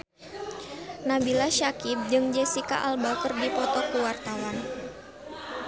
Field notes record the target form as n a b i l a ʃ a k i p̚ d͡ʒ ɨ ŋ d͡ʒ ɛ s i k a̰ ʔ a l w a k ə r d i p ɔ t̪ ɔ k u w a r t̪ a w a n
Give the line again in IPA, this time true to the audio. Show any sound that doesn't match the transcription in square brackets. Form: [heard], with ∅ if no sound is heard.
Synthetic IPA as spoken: n a b i l a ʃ a k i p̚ d͡ʒ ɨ ŋ d͡ʒ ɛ s i k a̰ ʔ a l [b] a k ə r d i p ɔ t̪ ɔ k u w a r t̪ a w a n